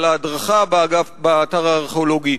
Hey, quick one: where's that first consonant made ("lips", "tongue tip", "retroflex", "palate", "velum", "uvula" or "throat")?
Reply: tongue tip